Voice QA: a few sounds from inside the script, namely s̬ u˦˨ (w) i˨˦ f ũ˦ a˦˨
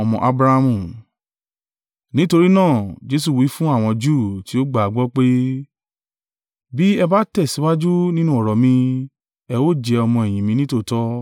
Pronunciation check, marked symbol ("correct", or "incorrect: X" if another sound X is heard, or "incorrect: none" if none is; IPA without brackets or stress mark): correct